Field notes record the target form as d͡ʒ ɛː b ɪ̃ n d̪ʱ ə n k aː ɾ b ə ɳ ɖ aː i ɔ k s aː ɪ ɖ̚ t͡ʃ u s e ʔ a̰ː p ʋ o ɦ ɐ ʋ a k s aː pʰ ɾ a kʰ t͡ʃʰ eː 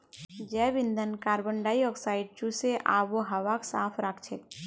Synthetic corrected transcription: d͡ʒ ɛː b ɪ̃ n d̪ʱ ə n k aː ɾ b ə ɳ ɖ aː i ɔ k s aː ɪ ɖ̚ t͡ʃ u s e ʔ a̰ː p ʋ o ɦ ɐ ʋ a k s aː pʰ ɾ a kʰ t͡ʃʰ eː